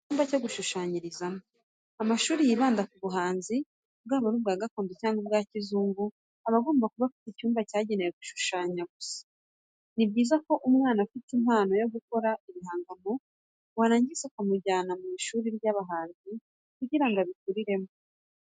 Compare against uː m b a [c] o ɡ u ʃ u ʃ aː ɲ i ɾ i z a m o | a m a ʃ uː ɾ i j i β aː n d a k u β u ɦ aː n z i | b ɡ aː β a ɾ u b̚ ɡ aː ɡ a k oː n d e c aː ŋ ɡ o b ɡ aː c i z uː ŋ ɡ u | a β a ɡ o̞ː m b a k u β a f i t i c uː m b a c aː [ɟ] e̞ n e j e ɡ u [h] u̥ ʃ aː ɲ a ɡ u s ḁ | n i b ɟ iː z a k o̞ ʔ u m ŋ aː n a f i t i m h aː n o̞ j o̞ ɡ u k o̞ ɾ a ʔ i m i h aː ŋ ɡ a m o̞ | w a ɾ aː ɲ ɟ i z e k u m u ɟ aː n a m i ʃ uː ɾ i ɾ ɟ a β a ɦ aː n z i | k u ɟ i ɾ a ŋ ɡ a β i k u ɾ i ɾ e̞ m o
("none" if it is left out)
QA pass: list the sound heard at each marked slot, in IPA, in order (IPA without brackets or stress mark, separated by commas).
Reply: c, ɟ, ʃ